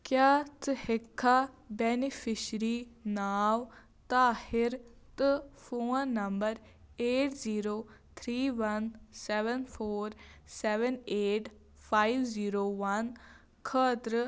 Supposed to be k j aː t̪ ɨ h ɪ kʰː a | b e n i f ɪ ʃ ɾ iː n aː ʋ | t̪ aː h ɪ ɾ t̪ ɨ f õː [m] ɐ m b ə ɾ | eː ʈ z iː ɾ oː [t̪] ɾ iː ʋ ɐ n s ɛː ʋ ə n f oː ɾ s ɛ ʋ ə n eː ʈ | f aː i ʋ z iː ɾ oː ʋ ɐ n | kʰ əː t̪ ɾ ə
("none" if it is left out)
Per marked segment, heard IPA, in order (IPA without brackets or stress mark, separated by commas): n, t̪ʰ